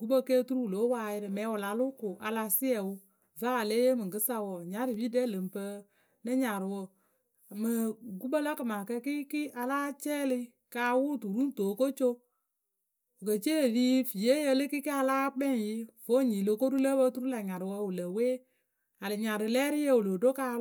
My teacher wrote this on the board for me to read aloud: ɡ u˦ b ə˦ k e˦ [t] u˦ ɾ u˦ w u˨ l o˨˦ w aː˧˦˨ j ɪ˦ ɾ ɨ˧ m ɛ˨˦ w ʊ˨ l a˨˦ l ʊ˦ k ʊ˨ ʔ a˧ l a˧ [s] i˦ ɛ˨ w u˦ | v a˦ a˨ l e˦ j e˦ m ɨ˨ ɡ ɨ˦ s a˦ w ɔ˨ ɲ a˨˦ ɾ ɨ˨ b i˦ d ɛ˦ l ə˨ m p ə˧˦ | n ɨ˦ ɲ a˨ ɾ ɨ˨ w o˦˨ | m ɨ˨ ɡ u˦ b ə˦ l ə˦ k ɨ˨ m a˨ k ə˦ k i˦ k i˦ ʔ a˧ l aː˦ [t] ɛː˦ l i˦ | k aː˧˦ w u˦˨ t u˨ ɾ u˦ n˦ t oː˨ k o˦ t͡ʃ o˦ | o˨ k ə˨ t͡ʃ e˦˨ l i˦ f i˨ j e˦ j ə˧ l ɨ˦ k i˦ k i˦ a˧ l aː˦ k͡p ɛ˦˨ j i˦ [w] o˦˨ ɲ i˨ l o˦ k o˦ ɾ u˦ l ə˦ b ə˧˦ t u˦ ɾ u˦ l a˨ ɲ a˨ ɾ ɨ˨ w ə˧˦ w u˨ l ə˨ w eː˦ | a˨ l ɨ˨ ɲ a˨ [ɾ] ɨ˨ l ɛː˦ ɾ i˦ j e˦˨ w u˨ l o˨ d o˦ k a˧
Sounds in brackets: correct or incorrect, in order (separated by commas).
correct, correct, incorrect, incorrect, correct